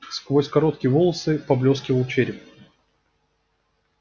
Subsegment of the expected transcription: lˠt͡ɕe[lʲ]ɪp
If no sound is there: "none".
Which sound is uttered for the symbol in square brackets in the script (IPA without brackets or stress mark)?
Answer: ɾʲ